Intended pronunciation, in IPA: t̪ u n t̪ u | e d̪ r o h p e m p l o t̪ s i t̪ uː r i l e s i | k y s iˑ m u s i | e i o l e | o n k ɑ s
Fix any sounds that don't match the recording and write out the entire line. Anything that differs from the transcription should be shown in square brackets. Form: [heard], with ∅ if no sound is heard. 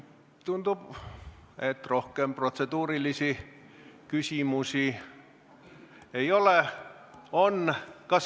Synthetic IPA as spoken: t̪ u n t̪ u | e [t̪] r o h [k] e m p [r] o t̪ s [e] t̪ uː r i l [i] s i | k y s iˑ m u s i | e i o l e | o n k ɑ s